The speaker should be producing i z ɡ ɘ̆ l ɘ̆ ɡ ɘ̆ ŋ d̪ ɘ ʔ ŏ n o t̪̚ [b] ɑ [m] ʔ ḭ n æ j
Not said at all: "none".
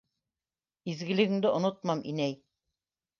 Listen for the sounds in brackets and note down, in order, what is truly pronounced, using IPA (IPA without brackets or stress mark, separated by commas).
m, m